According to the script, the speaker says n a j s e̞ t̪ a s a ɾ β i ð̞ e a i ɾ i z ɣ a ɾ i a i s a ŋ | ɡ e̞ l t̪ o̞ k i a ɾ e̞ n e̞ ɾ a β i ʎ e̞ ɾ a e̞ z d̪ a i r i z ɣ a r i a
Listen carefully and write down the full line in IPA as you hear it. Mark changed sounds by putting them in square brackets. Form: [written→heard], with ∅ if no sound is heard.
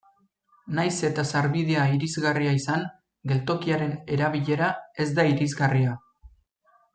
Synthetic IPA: n a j s e̞ t̪ a s a ɾ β i ð̞ e a i ɾ i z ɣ a [ɾ→r] i a i s a ŋ | ɡ e̞ l t̪ o̞ k i a ɾ e̞ n e̞ ɾ a β i ʎ e̞ ɾ a e̞ z d̪ a i [r→ɾ] i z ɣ a r i a